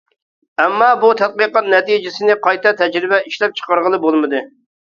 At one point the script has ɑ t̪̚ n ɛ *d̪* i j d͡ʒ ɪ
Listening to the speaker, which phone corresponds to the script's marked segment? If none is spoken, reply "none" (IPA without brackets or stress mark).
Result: t̪